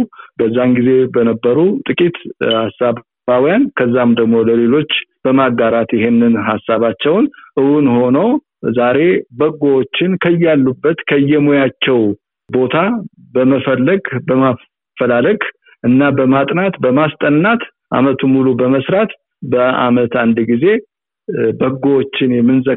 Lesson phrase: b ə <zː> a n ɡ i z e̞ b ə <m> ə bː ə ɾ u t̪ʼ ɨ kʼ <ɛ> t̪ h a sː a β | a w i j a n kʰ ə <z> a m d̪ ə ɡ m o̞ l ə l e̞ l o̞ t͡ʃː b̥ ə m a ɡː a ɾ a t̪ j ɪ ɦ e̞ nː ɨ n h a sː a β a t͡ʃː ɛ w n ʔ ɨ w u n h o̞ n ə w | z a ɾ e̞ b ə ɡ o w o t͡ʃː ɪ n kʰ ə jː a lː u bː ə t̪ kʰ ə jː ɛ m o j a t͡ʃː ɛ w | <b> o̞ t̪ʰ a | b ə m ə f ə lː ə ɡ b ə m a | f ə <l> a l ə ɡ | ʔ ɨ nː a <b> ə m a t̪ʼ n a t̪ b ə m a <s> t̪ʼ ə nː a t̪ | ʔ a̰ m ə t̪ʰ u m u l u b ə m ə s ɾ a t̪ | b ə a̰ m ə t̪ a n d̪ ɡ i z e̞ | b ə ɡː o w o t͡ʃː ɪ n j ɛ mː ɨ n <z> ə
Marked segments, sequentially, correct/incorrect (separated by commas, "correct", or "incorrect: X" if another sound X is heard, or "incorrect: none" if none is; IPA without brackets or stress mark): correct, incorrect: n, incorrect: i, incorrect: zː, correct, correct, correct, correct, correct